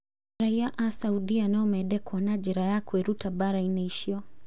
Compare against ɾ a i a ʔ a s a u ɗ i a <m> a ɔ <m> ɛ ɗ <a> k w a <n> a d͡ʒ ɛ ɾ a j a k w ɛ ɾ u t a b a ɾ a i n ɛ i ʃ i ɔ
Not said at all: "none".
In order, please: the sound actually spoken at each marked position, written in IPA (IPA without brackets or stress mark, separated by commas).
n, m, ɛ, n